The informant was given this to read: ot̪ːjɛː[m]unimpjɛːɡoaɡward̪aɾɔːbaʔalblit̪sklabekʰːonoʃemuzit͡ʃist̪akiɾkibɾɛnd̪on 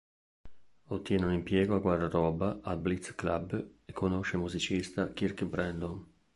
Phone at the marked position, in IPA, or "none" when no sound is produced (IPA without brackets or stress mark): n